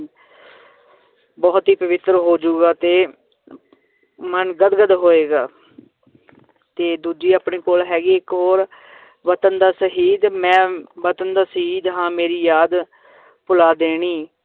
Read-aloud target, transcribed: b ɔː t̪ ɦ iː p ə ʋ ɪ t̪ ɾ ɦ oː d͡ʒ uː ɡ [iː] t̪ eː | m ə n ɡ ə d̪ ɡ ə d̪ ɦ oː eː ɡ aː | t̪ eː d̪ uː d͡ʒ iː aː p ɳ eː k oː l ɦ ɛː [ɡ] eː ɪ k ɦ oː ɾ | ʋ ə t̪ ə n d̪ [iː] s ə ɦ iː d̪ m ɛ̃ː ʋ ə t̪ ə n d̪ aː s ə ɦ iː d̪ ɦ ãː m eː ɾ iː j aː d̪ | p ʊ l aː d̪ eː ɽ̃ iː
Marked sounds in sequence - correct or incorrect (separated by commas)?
incorrect, correct, incorrect